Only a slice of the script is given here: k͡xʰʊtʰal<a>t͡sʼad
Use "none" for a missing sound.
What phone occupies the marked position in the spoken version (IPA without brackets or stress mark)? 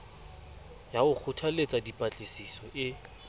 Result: e